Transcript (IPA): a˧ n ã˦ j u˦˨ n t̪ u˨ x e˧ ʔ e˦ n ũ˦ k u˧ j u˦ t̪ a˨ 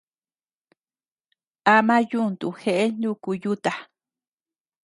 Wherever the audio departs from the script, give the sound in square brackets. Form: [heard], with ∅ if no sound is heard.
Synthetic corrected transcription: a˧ [m] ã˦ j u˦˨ n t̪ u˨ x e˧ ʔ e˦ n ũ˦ k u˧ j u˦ t̪ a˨